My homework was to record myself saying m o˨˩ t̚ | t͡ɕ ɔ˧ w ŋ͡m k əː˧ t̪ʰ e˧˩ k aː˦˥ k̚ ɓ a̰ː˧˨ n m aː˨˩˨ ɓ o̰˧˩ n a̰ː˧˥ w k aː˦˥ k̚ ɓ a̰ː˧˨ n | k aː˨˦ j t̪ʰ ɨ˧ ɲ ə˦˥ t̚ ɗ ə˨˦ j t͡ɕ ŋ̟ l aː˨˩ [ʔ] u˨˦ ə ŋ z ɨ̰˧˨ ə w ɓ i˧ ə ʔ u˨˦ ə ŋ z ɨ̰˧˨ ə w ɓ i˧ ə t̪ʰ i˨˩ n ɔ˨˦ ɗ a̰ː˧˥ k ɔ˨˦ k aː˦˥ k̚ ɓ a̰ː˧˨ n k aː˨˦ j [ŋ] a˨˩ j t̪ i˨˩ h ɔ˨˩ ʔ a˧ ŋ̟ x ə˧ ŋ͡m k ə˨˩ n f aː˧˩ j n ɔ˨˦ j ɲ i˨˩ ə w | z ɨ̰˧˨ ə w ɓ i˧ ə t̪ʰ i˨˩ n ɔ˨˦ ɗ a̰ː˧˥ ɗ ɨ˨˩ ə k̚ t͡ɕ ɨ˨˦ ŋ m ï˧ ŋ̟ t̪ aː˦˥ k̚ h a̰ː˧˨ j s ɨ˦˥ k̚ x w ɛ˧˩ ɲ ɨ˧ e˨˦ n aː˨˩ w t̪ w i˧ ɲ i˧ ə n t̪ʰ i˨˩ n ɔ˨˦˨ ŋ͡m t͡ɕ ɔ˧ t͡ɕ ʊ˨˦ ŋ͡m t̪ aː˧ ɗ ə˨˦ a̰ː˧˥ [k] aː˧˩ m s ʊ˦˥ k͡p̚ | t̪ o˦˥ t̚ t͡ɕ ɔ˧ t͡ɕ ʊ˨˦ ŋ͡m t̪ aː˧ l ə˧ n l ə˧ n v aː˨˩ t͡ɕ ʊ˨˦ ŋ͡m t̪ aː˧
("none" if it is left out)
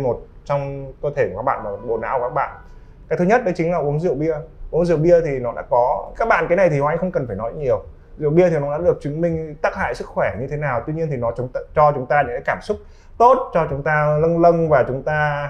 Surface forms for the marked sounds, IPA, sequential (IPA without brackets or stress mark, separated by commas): ʔ, n, k